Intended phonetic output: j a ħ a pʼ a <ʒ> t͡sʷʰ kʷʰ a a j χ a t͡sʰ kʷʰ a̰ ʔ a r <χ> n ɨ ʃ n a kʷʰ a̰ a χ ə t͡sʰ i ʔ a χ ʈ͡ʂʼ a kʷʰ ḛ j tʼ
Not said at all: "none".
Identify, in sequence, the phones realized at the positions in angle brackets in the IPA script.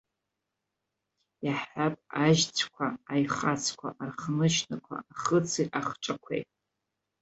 ʒ, χ

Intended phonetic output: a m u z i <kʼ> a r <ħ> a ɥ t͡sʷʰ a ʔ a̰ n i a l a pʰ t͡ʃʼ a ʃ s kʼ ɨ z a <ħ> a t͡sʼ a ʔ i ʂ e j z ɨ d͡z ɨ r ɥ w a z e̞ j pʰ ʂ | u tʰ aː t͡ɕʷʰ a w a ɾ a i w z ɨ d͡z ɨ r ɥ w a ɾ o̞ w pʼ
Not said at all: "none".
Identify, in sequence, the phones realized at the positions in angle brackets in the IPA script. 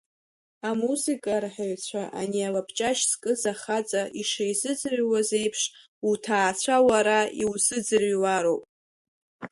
kʼ, ħ, χ

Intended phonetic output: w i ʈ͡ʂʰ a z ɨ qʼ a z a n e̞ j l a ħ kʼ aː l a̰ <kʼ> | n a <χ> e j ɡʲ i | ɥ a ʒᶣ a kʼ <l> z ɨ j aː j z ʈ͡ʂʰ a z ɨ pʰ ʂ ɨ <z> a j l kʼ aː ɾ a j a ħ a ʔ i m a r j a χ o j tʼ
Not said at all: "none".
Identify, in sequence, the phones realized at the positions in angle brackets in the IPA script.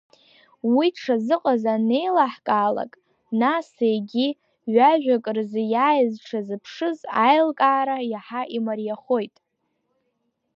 kʼ, s, r, z

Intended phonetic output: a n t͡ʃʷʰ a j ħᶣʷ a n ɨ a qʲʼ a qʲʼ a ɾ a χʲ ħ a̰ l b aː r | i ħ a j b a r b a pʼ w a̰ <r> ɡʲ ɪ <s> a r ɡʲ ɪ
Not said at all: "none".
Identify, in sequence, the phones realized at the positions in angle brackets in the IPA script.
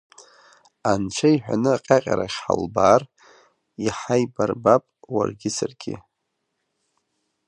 r, s

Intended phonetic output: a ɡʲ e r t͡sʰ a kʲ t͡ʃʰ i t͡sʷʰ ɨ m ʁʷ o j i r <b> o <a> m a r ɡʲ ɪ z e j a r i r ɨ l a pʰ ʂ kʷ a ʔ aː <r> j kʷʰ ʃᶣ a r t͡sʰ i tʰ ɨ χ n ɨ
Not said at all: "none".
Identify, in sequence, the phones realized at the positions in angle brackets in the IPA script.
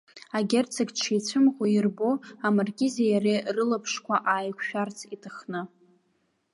b, a, none

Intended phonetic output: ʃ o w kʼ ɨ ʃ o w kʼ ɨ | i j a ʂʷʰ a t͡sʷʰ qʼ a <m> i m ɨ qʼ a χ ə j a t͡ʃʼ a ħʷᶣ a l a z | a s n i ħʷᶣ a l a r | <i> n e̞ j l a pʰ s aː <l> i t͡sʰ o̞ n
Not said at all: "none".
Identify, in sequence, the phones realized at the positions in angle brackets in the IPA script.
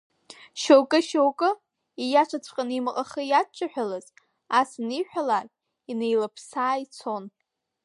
n, i, none

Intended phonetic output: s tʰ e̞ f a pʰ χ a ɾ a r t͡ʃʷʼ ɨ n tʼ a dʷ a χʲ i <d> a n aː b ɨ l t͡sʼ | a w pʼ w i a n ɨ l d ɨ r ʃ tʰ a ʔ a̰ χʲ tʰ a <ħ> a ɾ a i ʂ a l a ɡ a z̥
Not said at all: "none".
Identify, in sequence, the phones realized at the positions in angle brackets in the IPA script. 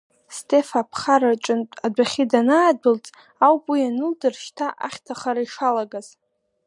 d, χ

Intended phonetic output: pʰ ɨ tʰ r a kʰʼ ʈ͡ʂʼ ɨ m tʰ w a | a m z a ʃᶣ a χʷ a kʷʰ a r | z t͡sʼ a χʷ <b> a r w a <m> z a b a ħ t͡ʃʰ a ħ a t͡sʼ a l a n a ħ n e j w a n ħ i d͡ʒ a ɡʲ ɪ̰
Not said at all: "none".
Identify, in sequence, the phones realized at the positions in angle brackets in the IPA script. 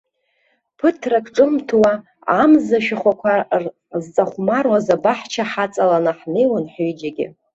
m, none

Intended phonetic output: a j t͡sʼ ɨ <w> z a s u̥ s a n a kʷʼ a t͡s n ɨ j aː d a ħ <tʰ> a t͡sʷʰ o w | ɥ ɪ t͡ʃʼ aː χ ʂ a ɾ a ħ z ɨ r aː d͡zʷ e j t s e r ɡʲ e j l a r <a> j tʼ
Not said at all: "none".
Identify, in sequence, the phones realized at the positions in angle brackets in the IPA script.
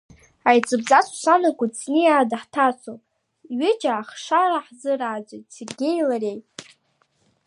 b, tʰ, e

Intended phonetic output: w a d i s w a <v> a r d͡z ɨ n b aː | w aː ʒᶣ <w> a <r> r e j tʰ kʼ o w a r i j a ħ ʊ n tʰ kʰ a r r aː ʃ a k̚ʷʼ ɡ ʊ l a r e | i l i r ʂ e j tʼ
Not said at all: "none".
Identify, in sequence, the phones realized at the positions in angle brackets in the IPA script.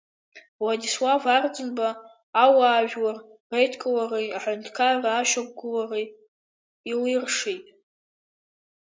v, w, r

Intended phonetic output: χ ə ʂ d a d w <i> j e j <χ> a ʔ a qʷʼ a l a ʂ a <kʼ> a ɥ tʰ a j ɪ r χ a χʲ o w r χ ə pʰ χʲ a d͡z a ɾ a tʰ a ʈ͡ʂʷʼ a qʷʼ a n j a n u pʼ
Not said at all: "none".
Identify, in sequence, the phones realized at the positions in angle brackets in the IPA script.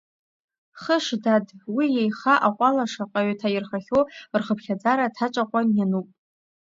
i, χ, qʼ

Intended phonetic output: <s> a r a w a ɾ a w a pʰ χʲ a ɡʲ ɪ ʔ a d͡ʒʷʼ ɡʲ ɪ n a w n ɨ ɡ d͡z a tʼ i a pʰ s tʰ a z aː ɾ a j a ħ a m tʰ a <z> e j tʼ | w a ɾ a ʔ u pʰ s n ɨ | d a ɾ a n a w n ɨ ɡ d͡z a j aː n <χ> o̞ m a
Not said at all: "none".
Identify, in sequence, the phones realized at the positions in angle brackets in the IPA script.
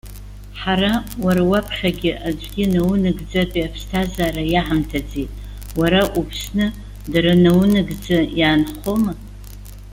ħ, d͡z, χ

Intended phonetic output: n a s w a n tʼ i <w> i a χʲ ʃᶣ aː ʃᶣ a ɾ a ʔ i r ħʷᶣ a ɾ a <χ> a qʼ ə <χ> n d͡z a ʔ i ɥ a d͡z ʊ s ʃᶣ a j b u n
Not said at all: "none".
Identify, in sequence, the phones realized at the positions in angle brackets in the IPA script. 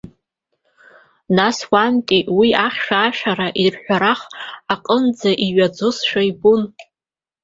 w, χ, none

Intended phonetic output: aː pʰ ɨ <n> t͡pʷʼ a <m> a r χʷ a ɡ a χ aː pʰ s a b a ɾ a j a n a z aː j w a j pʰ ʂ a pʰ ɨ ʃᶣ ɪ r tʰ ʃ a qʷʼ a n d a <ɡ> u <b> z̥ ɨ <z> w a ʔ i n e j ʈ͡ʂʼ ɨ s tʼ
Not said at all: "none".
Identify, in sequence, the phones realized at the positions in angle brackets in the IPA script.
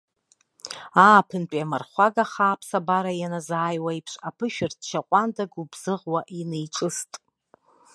n, m, ɡ, b, ʁ

